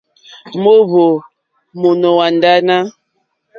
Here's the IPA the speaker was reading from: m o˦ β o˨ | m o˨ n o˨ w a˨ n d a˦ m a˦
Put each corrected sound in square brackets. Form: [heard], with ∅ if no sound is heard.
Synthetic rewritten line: m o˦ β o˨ | m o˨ n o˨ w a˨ n d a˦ [n] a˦